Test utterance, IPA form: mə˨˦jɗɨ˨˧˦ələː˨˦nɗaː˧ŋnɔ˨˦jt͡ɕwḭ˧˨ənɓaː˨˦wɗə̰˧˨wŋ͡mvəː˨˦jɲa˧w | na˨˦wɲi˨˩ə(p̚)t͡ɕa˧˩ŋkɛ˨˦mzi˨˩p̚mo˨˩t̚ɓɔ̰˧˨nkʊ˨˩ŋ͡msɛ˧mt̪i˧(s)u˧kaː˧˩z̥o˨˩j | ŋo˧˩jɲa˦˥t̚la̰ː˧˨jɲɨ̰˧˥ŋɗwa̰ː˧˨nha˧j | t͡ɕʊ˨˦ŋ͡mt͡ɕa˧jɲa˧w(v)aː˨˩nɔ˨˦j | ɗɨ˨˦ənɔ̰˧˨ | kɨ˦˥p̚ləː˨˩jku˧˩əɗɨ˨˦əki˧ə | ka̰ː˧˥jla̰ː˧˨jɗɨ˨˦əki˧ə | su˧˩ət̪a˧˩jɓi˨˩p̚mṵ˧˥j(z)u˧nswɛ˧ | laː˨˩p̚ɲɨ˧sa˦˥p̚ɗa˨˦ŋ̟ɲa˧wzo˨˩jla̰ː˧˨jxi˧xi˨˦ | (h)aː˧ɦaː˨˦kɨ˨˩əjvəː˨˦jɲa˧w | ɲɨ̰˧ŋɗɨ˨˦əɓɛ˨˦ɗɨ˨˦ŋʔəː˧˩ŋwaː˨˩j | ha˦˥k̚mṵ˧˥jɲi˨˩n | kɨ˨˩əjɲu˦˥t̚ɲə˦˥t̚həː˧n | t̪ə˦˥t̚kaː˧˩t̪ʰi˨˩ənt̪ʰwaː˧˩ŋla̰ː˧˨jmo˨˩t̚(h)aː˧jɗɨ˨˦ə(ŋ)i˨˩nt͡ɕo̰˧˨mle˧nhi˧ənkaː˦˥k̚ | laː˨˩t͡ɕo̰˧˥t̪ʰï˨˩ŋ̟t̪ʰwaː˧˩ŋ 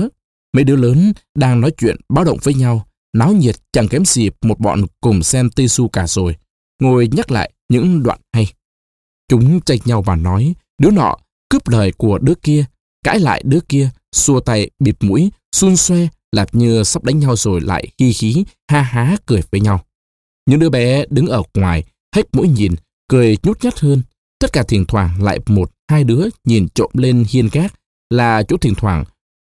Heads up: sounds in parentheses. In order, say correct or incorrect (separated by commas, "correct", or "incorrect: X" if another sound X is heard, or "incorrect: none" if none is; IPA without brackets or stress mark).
incorrect: t̚, correct, correct, incorrect: s, correct, correct, incorrect: ɲ